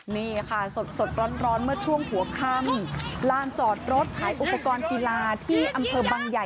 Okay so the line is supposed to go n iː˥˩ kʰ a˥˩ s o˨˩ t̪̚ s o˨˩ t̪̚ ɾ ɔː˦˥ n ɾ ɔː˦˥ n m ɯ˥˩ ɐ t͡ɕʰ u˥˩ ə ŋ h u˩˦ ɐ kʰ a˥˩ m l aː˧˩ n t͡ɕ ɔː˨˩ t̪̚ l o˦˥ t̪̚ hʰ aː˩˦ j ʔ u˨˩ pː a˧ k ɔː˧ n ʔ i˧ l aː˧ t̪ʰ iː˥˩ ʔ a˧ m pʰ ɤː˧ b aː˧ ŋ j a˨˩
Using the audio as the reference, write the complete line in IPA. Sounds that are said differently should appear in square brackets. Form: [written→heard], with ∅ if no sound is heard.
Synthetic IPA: n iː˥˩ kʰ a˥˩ s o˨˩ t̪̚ s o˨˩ t̪̚ ɾ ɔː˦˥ n ɾ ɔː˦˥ n m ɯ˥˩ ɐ t͡ɕʰ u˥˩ ə ŋ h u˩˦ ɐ kʰ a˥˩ m l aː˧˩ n t͡ɕ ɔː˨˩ t̪̚ [l→ɾ] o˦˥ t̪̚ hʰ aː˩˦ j ʔ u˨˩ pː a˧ k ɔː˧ n [ʔ→k] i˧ l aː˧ t̪ʰ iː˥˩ ʔ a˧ m pʰ ɤː˧ b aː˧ ŋ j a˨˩